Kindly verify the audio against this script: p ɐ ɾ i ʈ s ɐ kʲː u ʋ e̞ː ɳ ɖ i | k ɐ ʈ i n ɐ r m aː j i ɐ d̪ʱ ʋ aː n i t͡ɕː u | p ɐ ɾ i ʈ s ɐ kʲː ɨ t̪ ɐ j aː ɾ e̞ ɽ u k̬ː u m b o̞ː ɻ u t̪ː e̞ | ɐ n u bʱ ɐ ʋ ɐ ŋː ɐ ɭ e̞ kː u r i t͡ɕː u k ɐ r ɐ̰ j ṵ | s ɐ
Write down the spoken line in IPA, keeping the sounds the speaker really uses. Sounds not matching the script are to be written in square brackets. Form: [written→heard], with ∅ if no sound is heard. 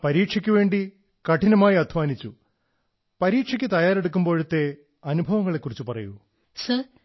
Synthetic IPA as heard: p ɐ ɾ [i→iː] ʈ [s→ʂ] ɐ kʲː u ʋ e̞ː ɳ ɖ i | k ɐ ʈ i n ɐ [r→∅] m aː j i ɐ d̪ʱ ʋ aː n i t͡ɕː u | p ɐ ɾ [i→iː] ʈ [s→ʂ] ɐ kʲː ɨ t̪ ɐ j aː ɾ e̞ ɽ u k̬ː u m b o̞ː ɻ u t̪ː e̞ | ɐ n u bʱ ɐ ʋ ɐ ŋː ɐ ɭ e̞ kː u r i t͡ɕː u [k→p] ɐ r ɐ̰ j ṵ | s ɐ